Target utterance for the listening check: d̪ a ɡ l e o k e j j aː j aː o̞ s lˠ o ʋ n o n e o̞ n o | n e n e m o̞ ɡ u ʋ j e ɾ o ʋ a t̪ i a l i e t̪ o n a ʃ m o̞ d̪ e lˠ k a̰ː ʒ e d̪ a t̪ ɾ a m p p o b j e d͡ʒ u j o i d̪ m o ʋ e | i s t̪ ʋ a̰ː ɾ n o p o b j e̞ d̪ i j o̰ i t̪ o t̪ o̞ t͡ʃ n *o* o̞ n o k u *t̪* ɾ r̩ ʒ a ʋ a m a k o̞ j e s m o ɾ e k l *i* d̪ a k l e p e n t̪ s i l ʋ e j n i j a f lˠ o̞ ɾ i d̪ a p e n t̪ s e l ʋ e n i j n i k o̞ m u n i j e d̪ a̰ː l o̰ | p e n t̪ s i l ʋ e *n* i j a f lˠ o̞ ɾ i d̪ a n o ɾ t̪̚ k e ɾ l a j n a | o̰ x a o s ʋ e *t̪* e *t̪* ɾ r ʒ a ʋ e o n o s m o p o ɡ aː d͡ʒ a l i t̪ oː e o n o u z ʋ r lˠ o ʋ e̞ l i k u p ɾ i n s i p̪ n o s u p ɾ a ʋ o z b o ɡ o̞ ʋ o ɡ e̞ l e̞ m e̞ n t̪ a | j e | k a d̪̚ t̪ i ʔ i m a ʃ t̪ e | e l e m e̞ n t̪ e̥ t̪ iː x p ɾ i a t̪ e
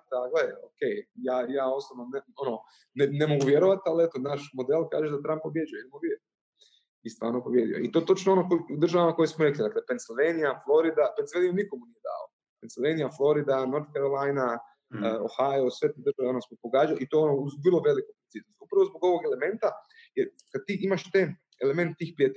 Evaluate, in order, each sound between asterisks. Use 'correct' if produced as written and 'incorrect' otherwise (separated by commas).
correct, incorrect, correct, correct, correct, incorrect